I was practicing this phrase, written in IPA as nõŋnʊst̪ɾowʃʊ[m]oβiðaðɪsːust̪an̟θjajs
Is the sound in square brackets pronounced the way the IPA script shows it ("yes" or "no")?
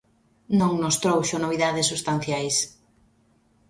no